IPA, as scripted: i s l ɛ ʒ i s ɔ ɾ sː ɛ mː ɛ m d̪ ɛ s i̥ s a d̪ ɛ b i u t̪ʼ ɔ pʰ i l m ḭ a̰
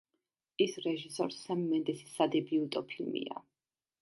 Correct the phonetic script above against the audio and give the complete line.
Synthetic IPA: i s ɾ ɛ ʒ i s ɔ ɾ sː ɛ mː ɛ n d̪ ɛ s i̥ s a d̪ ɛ b i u t̪ʼ ɔ pʰ i l m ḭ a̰